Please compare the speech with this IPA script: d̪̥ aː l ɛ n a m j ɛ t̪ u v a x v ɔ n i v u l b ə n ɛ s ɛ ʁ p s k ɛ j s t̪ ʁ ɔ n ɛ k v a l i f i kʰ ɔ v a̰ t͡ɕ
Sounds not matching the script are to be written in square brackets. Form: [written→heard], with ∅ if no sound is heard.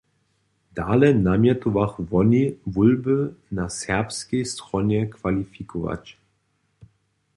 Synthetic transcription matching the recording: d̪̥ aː l ɛ n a m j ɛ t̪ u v a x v ɔ n i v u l b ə n [ɛ→a] s ɛ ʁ p s k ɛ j s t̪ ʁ ɔ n ɛ k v a l i f i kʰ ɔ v a̰ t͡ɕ